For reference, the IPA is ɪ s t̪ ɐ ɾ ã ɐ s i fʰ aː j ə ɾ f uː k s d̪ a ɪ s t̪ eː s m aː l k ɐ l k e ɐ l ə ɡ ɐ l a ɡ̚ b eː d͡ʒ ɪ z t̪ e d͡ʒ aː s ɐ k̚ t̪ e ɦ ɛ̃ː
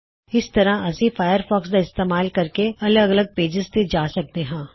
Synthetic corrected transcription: ɪ s t̪ ɐ ɾ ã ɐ s i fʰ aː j ə ɾ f ɔː k s d̪ a ɪ s t̪ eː m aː l k ɐ ɾ k e ɐ l ə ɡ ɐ l ə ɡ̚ p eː d͡ʒ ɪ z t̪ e d͡ʒ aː s ɐ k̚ t̪ e ɦ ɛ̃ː